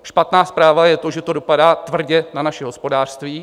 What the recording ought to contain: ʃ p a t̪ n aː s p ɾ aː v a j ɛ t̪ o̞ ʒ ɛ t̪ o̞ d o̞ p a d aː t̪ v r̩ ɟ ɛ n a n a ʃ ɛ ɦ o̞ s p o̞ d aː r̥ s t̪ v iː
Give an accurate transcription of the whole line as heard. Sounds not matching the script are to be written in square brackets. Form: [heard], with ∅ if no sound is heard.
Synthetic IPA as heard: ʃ p a t̪ n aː s p ɾ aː v a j ɛ t̪ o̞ ʒ ɛ t̪ o̞ d o̞ p a d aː t̪ v r̩ ɟ ɛ n a n a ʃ ɛ ɦ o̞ s p o̞ d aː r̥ s t̪ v iː